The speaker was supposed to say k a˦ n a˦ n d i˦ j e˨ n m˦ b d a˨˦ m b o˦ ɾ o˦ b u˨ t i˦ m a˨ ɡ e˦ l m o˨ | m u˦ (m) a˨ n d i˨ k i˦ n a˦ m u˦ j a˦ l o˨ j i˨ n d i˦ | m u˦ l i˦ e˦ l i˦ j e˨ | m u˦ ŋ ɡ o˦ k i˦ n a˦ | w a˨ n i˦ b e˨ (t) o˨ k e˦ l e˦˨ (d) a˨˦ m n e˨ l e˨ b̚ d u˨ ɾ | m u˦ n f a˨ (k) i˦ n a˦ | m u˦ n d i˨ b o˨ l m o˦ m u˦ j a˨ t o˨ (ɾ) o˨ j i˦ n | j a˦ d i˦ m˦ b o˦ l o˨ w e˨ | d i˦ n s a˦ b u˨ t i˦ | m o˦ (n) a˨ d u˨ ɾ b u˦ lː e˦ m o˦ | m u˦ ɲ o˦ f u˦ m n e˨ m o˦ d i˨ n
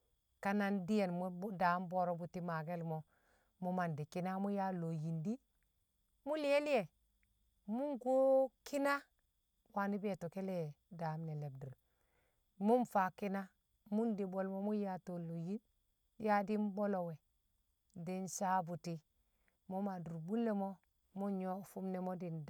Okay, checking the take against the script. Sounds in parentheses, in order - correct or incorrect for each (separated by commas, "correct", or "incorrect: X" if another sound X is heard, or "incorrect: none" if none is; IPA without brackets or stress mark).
correct, correct, correct, correct, incorrect: l, incorrect: m